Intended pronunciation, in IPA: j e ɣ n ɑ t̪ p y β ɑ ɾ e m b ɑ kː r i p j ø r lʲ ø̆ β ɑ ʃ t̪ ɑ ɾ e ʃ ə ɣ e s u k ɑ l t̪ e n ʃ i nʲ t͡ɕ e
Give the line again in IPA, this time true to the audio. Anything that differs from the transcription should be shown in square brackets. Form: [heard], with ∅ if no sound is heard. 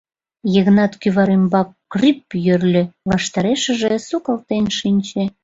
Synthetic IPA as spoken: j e ɣ n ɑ t̪ [k] y β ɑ ɾ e m b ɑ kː r i p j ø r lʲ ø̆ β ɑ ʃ t̪ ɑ ɾ e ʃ ə [ʒ] e s u k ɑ l t̪ e n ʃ i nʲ t͡ɕ e